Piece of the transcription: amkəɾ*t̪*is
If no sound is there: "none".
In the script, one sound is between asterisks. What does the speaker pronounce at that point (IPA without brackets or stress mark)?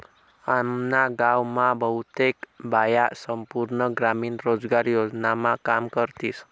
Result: t̪